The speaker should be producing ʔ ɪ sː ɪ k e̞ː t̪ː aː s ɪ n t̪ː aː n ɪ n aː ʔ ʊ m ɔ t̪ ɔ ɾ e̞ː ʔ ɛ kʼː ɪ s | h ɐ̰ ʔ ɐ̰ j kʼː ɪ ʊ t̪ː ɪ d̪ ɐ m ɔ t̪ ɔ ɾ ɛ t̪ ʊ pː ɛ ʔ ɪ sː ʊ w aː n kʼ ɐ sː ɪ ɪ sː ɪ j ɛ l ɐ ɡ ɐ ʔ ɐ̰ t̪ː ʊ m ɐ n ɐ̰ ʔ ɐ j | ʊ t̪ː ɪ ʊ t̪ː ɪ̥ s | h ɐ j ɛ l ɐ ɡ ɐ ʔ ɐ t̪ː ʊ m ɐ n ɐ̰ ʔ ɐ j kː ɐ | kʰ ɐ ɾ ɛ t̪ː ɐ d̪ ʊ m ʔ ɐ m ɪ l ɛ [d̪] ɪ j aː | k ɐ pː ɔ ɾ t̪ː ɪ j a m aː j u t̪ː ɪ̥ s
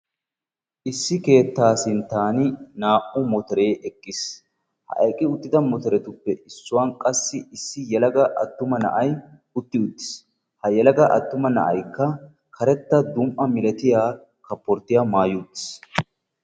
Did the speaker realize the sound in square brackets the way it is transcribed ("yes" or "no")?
no